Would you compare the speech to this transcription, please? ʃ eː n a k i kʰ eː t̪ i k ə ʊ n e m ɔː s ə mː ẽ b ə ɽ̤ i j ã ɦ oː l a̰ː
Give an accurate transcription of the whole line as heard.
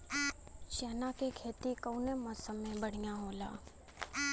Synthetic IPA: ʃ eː n a k e kʰ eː t̪ i k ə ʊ n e m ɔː s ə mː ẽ b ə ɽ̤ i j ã ɦ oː l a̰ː

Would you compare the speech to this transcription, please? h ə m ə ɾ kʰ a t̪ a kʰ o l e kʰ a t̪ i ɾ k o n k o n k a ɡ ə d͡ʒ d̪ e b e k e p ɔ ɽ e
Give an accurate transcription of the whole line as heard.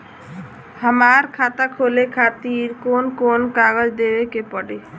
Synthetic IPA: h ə m a ɾ kʰ a t̪ a kʰ o l e kʰ a t̪ i ɾ k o n k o n k a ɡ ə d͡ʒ d̪ e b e k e p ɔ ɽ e

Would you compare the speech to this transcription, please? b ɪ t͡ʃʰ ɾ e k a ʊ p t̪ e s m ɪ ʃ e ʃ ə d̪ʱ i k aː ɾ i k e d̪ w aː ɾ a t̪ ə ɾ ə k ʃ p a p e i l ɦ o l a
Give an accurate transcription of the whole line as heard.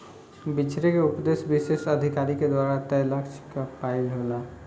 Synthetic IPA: b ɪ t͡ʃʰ ɾ e k e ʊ p d̪ e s b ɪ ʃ e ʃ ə d̪ʱ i k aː ɾ i k e d̪ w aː ɾ a t̪ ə l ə k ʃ k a p a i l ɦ o l a

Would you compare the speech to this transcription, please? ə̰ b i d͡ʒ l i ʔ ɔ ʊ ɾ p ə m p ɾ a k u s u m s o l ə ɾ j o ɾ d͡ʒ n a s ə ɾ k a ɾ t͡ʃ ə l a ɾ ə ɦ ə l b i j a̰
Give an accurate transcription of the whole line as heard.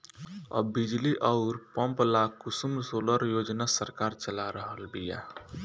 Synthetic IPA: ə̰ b i d͡ʒ l i ʔ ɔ ʊ ɾ p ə m p l a k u s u m s o l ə ɾ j o d͡ʒ n a s ə ɾ k a ɾ t͡ʃ ə l a ɾ ə ɦ ə l b i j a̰

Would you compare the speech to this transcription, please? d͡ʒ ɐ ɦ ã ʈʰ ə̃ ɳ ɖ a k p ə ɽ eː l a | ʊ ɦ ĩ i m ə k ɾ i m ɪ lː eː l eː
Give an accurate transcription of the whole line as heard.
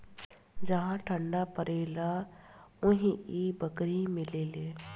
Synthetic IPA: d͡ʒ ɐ ɦ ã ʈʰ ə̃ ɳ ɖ a p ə ɾ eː l a | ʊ ɦ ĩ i b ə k ɾ i m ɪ l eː l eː

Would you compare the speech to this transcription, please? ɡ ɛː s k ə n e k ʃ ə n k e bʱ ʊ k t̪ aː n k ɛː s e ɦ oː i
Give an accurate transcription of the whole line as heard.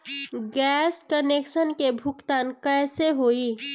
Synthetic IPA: ɡ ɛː s k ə n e k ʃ ə n k e bʱ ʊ k t̪ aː n k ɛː s e ɦ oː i

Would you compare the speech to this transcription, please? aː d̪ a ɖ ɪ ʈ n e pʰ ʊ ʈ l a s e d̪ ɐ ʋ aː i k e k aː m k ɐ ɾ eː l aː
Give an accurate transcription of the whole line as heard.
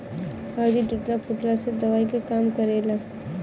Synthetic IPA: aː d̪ i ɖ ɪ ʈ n a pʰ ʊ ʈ l a s e d̪ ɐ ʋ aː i k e k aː m k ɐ ɾ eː l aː

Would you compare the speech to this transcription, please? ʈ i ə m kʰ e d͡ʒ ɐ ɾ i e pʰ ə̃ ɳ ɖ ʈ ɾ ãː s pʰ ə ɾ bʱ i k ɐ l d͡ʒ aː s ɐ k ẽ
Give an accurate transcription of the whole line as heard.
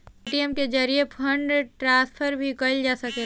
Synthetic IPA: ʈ i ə m k e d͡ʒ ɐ ɾ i e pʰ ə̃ ɳ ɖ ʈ ɾ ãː s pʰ ə ɾ bʱ i k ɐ l d͡ʒ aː s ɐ k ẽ

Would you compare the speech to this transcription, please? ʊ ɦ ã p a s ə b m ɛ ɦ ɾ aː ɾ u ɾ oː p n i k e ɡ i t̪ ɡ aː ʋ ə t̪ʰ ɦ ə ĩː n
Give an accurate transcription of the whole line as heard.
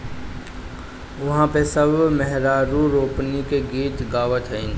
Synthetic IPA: ʊ ɦ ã p e s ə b m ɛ ɦ ɾ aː ɾ u ɾ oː p n i k e ɡ iː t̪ ɡ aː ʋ ə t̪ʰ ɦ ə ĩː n

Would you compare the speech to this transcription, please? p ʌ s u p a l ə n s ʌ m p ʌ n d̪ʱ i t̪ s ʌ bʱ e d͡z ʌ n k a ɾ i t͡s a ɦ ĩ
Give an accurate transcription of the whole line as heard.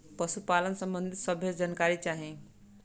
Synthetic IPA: p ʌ s u p a l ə n s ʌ m b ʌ n d̪ʱ i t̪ s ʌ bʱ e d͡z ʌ n k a ɾ i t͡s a ɦ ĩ

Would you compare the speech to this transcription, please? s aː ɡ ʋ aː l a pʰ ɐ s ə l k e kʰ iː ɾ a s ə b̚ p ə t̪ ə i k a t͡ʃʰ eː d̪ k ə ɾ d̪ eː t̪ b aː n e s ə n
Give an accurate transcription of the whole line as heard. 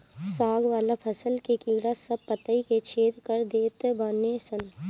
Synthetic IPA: s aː ɡ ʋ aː l a pʰ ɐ s ə l k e k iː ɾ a s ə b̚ p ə t̪ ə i k e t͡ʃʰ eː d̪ k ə ɾ d̪ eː t̪ b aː n e s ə n

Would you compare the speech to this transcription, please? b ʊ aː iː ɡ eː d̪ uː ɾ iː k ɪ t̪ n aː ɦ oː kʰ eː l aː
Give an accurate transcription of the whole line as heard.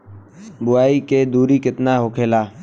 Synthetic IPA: b ʊ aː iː k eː d̪ uː ɾ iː k ɪ t̪ n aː ɦ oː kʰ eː l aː

